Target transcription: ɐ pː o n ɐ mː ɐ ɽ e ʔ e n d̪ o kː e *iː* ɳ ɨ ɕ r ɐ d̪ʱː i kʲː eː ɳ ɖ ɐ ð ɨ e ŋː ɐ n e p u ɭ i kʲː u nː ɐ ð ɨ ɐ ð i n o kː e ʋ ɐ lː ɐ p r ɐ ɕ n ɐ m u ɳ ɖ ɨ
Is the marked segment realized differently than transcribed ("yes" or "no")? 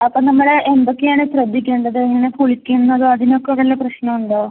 yes